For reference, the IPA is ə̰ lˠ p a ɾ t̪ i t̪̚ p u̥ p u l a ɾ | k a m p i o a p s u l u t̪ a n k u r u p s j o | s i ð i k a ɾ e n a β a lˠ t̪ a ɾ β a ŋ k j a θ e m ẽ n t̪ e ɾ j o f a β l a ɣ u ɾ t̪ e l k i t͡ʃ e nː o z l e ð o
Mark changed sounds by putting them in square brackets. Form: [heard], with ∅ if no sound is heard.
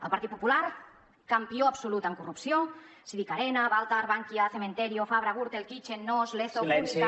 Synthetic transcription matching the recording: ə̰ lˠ p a ɾ t̪ i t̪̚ p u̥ p u l a ɾ | k a m p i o a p s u l u t̪ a [ŋ] k u r u p s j o | s i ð i k a ɾ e n a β a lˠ t̪ a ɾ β a ŋ k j a θ e m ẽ n t̪ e ɾ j o f a β [ɾ] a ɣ u ɾ t̪ e l k i t͡ʃ e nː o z l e [θ] o